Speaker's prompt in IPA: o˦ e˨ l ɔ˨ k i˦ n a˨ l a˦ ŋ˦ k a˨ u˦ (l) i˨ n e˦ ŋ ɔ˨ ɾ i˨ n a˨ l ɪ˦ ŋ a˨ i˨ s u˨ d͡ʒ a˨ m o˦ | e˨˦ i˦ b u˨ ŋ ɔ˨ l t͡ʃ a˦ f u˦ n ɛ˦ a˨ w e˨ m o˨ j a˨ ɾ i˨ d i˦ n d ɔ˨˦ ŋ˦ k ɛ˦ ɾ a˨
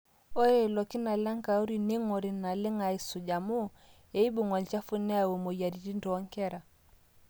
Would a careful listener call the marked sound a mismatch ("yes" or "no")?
yes